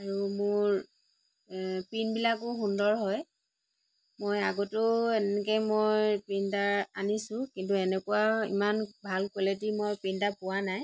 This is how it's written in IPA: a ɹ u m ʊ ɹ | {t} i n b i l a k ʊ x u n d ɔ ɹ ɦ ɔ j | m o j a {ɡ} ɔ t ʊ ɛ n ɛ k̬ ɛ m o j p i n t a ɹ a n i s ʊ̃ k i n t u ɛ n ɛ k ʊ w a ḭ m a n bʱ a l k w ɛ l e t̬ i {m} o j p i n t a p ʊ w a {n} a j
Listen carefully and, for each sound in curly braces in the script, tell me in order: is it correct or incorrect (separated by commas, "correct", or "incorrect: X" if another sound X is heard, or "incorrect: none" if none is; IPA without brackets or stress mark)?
incorrect: p, correct, correct, correct